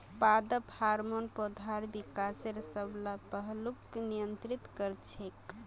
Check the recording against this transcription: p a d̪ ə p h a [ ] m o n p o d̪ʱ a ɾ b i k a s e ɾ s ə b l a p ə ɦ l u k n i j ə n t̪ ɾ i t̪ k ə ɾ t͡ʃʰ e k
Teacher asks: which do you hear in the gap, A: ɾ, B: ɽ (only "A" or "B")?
A